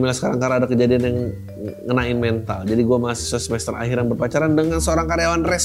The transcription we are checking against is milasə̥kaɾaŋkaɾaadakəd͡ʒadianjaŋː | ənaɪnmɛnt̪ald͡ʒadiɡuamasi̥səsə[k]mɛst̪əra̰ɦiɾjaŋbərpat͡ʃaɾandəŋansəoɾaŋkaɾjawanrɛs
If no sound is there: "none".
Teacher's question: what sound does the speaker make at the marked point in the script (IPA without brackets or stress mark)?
none